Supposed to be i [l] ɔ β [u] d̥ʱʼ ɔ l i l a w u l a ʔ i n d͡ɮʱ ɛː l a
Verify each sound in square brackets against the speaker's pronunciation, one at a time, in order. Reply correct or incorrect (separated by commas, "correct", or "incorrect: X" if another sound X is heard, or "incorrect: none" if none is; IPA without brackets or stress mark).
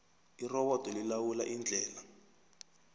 incorrect: r, incorrect: ɔ